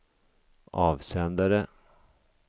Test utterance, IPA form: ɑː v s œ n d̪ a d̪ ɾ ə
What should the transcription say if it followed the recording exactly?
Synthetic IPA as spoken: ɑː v s ɛ n d̪ a ɾ ə